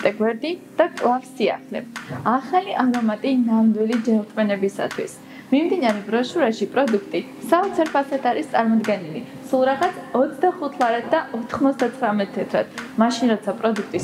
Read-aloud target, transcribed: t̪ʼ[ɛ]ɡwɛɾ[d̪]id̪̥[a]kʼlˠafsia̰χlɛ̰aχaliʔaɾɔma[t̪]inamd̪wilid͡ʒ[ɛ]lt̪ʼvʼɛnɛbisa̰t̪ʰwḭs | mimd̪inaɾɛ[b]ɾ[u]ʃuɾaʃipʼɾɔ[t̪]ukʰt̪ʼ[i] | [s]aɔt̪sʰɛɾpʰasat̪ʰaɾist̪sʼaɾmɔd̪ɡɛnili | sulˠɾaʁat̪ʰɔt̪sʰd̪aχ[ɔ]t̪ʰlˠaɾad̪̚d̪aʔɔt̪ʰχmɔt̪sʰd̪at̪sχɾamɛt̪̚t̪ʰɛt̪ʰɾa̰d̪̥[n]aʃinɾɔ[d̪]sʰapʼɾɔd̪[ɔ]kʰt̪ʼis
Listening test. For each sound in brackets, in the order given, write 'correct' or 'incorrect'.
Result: correct, correct, correct, incorrect: t̪ʼ, correct, correct, incorrect: ɔ, incorrect: d̪, correct, correct, incorrect: u, incorrect: m, incorrect: t̪, incorrect: u

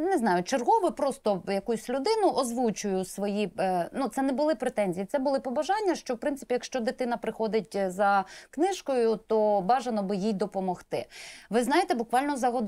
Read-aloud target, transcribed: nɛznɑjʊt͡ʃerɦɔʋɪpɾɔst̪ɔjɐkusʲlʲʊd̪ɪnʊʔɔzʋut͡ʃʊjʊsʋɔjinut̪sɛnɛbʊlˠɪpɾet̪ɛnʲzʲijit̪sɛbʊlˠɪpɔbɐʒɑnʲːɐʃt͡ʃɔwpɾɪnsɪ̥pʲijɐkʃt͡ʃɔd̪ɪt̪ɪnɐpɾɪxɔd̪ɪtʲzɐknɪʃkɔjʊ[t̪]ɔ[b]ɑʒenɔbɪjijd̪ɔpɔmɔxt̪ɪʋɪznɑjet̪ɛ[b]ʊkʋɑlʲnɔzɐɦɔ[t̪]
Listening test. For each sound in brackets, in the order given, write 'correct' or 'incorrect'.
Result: correct, correct, correct, incorrect: d̪

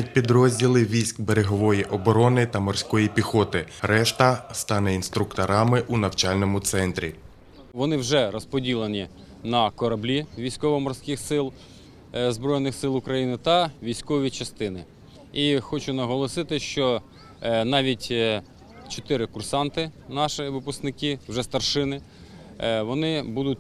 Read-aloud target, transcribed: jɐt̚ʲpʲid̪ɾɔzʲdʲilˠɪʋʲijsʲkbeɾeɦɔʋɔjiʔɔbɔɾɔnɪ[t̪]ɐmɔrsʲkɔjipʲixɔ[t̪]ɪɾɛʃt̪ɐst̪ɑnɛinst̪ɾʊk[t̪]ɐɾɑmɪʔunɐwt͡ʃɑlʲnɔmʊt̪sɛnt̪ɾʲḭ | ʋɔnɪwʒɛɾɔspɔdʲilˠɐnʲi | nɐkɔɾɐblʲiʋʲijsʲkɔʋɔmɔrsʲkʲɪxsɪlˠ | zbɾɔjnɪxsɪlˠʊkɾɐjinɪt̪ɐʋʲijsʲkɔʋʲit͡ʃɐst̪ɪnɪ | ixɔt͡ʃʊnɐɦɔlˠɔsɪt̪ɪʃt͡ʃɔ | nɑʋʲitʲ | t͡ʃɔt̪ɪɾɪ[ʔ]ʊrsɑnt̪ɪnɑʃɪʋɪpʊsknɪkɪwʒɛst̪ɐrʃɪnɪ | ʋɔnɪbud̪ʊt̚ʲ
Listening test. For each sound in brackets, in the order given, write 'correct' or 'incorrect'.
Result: correct, correct, correct, incorrect: k

